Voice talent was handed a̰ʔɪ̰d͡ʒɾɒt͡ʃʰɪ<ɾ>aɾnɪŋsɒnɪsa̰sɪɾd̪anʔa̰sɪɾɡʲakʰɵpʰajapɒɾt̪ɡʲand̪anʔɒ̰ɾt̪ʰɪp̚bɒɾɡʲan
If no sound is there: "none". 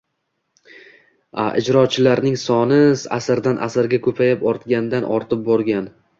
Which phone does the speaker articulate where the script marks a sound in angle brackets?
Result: l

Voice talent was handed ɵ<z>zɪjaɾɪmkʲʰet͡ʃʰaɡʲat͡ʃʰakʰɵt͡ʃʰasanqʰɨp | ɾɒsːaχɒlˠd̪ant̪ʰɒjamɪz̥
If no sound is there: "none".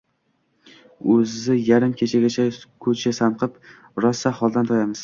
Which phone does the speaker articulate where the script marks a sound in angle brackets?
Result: z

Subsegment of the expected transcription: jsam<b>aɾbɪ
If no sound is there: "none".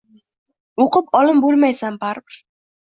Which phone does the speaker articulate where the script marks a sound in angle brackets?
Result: b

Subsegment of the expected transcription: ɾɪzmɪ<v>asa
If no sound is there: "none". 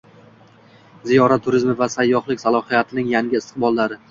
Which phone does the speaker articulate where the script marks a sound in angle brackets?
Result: v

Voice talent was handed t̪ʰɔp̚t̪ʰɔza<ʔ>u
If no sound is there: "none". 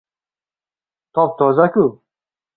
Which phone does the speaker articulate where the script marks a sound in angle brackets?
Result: k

